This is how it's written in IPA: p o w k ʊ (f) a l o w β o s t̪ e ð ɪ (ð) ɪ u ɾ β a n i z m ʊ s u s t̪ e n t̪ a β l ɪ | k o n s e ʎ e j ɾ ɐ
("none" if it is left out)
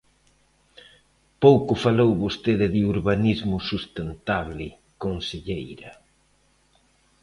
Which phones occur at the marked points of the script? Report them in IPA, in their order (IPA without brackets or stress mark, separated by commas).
f, ð